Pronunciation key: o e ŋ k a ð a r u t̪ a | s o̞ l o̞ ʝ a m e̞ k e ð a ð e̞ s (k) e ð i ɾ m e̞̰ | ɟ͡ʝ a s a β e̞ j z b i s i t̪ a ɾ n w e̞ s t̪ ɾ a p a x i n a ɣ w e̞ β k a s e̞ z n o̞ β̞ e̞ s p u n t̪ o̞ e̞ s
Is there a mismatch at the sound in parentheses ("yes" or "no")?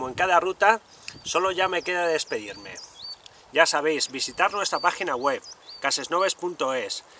yes